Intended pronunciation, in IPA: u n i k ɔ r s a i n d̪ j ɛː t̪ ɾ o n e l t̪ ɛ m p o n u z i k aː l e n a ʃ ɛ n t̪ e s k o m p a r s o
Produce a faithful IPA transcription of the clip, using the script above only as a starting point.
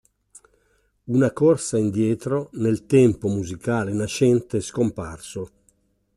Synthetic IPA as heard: u n a k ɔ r s a i n d̪ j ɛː t̪ ɾ o n e l t̪ ɛ m p o m u z i k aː l e n a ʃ ɛ n t̪ e s k o m p a r s o